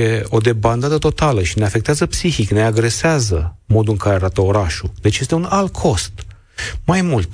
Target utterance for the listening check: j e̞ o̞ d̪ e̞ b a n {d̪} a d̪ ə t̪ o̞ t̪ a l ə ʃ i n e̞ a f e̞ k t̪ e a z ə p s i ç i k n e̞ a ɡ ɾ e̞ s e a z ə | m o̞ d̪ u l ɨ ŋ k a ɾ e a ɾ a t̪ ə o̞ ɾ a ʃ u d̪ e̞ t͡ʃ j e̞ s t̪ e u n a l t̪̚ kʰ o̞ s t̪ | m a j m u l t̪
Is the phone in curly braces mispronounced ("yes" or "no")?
no